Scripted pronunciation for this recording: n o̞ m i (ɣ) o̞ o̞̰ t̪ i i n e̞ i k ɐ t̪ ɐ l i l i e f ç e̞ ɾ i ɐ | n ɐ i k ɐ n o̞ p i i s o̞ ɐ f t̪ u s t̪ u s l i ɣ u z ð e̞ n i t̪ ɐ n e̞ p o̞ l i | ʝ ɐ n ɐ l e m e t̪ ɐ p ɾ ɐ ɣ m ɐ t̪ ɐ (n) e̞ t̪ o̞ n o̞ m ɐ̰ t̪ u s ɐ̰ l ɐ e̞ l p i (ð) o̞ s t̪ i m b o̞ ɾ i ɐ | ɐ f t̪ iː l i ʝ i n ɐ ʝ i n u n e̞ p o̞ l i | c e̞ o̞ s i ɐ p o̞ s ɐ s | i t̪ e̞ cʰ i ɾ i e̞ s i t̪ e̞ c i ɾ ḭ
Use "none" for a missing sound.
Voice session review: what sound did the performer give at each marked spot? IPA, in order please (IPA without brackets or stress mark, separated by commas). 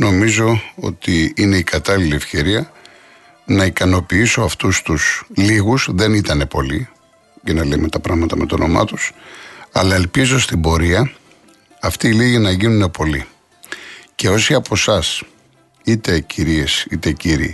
z, m, z